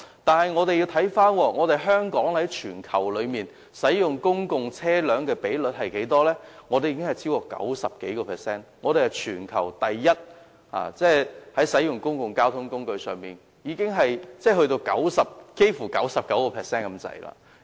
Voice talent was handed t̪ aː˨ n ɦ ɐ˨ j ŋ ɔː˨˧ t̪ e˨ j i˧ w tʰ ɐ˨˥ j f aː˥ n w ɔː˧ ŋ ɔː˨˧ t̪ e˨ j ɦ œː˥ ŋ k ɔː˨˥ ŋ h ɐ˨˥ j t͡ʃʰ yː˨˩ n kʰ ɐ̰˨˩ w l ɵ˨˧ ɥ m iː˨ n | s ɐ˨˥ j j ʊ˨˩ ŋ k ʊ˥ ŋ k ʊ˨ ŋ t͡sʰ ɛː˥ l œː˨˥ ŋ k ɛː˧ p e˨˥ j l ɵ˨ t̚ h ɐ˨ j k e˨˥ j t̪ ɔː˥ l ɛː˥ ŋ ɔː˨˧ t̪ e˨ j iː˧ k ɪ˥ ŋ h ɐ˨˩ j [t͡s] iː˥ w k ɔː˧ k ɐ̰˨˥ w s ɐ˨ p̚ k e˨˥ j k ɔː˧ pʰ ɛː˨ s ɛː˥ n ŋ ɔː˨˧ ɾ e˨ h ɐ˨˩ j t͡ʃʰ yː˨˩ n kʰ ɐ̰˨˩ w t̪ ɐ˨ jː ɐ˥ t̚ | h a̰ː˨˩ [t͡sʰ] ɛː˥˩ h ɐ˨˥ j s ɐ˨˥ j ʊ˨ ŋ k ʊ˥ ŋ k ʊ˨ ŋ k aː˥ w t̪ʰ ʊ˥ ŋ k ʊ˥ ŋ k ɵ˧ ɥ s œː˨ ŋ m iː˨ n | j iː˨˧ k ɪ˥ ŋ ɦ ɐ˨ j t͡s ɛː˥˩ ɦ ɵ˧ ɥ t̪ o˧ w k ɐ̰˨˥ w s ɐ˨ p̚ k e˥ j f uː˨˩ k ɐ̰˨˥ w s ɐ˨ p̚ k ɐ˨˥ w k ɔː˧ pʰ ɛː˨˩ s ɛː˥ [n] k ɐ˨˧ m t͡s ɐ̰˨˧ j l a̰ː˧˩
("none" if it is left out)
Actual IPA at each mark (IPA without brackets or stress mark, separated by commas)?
t͡sʰ, t͡s, n